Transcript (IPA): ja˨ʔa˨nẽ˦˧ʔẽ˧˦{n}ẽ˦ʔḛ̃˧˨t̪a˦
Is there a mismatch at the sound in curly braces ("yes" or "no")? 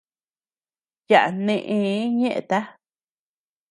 yes